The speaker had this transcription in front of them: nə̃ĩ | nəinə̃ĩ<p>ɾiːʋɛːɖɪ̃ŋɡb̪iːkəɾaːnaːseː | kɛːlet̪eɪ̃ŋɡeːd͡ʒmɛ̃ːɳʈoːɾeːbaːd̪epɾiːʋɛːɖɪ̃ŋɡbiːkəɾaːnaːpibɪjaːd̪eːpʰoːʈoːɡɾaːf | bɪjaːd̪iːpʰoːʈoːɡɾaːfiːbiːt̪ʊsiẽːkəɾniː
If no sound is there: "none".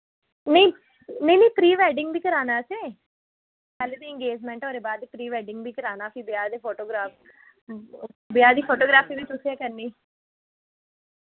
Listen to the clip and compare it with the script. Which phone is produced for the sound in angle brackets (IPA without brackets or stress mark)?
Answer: p